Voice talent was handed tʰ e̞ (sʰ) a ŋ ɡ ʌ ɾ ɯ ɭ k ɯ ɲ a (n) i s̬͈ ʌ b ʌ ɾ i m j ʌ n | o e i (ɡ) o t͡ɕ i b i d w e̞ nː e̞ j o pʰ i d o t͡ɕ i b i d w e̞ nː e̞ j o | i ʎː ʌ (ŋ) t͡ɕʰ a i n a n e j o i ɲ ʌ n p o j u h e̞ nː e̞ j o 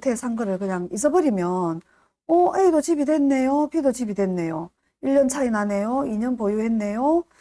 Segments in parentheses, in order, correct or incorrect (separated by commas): correct, incorrect, incorrect, incorrect